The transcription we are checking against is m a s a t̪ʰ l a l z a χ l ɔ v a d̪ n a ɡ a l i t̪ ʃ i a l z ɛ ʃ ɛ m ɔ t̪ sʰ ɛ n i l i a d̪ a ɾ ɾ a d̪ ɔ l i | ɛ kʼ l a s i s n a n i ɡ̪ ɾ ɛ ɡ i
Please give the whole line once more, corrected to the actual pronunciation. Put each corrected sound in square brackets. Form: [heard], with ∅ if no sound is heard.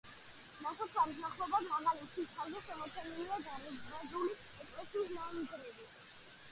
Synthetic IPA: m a s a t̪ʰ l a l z a χ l ɔ [b] a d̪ [m] a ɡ a l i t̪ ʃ i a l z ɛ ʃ ɛ m ɔ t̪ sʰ ɛ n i l i a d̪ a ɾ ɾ a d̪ [u] l i | ɛ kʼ l [ɛ] s i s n a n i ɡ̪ ɾ ɛ [b] i